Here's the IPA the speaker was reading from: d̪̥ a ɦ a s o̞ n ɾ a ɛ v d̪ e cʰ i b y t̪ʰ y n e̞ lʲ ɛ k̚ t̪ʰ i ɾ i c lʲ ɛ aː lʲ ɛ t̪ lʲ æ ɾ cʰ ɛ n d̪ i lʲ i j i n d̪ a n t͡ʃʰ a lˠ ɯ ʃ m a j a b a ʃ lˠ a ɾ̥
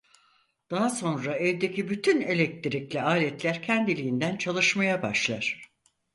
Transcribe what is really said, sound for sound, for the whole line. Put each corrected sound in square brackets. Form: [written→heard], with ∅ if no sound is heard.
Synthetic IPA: d̪̥ a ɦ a s o̞ n ɾ a ɛ v d̪ e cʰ i b y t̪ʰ y n e̞ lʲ ɛ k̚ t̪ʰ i ɾ i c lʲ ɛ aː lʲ ɛ t̪ lʲ æ ɾ cʰ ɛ n d̪ i lʲ i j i n d̪ [a→æ] n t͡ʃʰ a lˠ ɯ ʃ m a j a b a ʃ lˠ a ɾ̥